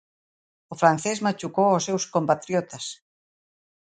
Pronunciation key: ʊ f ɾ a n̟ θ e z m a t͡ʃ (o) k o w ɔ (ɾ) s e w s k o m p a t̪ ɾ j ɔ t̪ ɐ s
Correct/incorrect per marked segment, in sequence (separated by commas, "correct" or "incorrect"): incorrect, incorrect